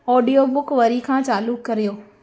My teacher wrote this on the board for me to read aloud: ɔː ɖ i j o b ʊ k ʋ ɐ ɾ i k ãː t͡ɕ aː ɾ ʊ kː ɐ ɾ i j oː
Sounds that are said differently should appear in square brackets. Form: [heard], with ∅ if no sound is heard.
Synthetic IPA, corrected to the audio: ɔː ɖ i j o b ʊ k ʋ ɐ ɾ i [kʰ] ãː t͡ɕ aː [l] ʊ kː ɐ ɾ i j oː